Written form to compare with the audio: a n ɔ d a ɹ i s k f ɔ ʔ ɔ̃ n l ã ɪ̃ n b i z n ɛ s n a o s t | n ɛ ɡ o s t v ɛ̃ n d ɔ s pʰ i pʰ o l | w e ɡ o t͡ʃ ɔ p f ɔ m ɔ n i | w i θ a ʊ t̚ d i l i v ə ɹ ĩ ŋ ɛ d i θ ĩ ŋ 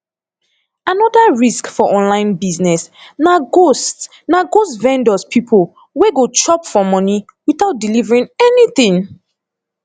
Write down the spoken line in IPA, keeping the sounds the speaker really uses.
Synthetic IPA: a n ɔ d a ɹ i s k f ɔ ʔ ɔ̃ n l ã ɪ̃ n b i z n ɛ s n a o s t | n a ɡ o s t v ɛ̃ n d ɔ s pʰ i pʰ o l | w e ɡ o t͡ʃ ɔ p f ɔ m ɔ n i | w i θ a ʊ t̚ d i l i v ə ɹ ĩ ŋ ɛ n i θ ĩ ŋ